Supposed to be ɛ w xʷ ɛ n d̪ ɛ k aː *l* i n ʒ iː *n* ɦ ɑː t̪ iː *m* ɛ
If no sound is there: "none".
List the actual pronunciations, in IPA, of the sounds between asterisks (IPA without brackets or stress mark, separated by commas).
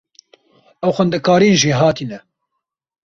ɾ, none, n